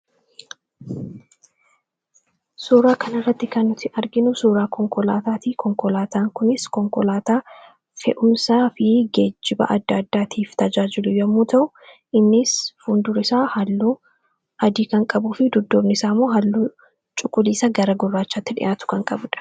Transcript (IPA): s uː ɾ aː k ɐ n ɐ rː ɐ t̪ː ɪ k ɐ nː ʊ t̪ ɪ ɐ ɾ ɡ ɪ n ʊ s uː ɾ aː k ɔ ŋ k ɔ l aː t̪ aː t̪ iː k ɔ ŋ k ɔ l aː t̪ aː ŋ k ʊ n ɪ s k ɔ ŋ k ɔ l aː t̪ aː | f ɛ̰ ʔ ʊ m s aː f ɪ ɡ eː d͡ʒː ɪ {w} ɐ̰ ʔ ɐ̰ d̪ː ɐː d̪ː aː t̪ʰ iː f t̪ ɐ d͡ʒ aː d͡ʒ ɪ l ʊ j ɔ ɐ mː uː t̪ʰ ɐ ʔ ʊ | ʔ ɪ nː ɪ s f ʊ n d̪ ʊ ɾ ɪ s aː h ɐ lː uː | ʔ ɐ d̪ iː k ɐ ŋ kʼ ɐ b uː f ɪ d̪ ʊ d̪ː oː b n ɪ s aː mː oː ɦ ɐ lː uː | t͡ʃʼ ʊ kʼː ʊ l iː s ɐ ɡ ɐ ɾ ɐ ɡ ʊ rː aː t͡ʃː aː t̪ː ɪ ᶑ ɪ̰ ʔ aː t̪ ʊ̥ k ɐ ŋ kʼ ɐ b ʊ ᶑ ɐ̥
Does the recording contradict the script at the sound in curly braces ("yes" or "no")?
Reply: yes